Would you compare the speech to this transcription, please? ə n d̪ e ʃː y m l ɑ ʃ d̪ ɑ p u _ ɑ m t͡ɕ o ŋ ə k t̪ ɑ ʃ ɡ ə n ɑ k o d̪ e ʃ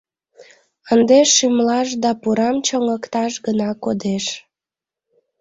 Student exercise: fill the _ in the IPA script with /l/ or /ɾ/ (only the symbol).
ɾ